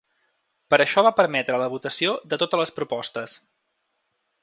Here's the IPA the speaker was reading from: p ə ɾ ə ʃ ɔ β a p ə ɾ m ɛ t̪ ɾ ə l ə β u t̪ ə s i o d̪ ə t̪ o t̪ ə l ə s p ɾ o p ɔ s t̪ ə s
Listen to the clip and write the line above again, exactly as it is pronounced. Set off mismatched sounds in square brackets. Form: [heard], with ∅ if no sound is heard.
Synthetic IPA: p ə ɾ ə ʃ ɔ β a p ə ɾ m ɛ t̪ ɾ ə l ə β u t̪ ə s i o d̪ ə t̪ o t̪ ə l ə s p ɾ [u] p ɔ s t̪ ə s